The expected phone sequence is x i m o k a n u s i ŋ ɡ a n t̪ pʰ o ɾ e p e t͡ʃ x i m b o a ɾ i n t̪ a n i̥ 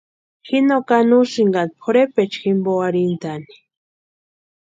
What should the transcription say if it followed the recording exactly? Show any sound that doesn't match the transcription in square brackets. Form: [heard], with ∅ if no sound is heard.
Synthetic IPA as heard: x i [n] o k a n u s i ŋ ɡ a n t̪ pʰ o ɾ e p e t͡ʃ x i m b o a ɾ i n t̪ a n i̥